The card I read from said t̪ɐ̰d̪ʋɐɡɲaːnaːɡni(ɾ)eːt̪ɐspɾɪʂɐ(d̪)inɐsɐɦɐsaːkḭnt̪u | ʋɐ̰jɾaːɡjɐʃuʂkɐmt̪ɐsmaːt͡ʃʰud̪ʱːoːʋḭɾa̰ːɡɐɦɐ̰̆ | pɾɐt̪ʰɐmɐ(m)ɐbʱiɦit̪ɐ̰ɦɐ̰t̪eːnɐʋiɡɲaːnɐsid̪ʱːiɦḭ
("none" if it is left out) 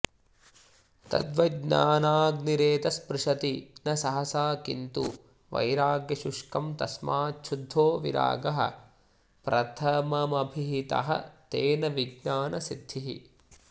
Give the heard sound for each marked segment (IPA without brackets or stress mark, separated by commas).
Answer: ɾ, t̪, m